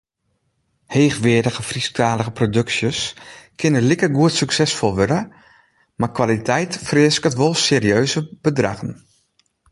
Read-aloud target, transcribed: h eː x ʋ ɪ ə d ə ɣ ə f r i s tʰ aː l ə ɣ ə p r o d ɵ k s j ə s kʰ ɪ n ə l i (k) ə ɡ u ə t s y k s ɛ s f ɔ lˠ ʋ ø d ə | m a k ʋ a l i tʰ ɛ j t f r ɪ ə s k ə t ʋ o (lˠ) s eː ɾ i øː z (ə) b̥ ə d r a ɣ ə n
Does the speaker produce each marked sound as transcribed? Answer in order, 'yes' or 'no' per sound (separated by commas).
yes, yes, yes